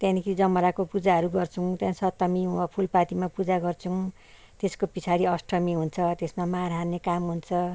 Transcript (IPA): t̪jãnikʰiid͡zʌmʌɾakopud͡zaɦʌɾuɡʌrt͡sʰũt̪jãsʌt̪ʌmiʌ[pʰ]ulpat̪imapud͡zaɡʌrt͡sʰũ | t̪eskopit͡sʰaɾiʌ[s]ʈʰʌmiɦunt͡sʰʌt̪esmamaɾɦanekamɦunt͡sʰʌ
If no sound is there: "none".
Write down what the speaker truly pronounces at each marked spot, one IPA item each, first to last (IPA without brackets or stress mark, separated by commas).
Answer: pʰ, s